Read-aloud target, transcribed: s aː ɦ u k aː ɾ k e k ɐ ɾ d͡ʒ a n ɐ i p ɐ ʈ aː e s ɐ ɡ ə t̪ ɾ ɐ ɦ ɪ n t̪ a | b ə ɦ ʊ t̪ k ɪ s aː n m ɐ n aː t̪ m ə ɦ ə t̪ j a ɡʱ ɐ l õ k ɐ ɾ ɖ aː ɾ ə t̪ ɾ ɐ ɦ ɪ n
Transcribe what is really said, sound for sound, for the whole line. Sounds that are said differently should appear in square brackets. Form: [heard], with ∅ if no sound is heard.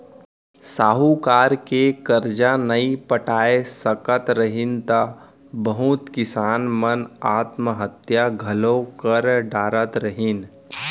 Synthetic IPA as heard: s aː ɦ u k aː ɾ k e k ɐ ɾ d͡ʒ a n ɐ i p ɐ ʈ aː e s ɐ [k] ə t̪ ɾ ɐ ɦ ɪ n t̪ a | b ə ɦ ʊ t̪ k ɪ s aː n m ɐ n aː t̪ m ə ɦ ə t̪ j a ɡʱ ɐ l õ k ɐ ɾ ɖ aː ɾ ə t̪ ɾ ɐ ɦ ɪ n